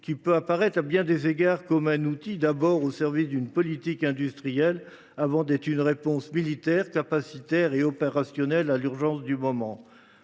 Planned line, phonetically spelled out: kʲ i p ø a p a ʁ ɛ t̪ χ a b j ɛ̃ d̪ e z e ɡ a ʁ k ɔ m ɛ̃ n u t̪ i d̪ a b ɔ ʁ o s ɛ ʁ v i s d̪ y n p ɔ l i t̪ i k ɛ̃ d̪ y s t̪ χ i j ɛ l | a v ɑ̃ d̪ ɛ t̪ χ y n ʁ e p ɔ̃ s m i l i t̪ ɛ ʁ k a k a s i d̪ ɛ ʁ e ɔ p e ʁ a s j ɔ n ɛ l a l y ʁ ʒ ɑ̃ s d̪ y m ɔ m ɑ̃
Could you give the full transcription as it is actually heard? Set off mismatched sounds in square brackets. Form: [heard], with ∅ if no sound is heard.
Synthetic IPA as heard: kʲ i p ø a p a ʁ ɛ t̪ χ a b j ɛ̃ d̪ e z e ɡ a ʁ k ɔ m ɛ̃ n u t̪ i d̪ a b ɔ ʁ o s ɛ ʁ v i s d̪ y n p ɔ l i t̪ i k ɛ̃ d̪ y s t̪ χ i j ɛ l | a v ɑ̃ d̪ ɛ t̪ χ y n ʁ e p ɔ̃ s m i l i t̪ ɛ ʁ k a [p] a s i [t̪] ɛ ʁ e ɔ p e ʁ a s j ɔ n ɛ l a l y ʁ ʒ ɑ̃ s d̪ y m ɔ m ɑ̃

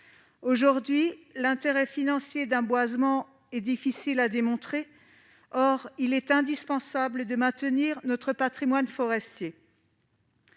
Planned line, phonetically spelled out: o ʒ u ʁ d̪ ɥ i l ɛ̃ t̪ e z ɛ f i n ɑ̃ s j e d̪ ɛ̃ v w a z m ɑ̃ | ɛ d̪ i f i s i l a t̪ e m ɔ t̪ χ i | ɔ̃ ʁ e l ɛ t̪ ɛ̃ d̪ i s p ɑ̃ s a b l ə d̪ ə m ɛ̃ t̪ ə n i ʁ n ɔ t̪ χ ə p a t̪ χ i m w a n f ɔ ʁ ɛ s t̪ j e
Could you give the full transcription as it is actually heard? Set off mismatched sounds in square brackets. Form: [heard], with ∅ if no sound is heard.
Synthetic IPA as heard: o ʒ u ʁ d̪ ɥ i l ɛ̃ t̪ e [ʁ] ɛ f i n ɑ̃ s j e d̪ ɛ̃ [b] w a z m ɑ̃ | ɛ d̪ i f i s i l a [d̪] e m [ɔ̃] t̪ χ [e] | [ɔ] ʁ [i] l ɛ t̪ ɛ̃ d̪ i s p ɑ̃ s a b l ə d̪ ə m ɛ̃ t̪ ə n i ʁ n ɔ t̪ χ ə p a t̪ χ i m w a n f ɔ ʁ ɛ s t̪ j e

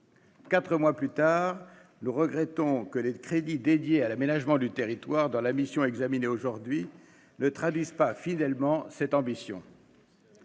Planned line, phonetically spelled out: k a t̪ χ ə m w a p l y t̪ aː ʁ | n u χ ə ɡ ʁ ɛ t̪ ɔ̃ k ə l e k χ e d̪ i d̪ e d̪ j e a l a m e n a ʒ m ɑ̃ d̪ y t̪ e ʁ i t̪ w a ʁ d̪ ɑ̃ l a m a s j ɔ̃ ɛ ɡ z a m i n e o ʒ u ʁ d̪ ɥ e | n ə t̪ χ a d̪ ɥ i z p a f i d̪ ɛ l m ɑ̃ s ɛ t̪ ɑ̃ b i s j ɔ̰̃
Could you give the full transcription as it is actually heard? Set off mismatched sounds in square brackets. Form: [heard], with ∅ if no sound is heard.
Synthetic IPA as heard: k a t̪ χ ə m w a p l y t̪ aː ʁ | n u [ʁ] ə ɡ ʁ ɛ t̪ ɔ̃ k ə l e k χ e d̪ i d̪ e d̪ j e a l a m e n a ʒ m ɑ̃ d̪ y t̪ e ʁ i t̪ w a ʁ d̪ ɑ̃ l a m [i] s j ɔ̃ ɛ ɡ z a m i n e o ʒ u ʁ d̪ ɥ [i] | n ə t̪ χ a d̪ ɥ i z p a f i d̪ ɛ l m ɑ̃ s ɛ t̪ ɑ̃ b i s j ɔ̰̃

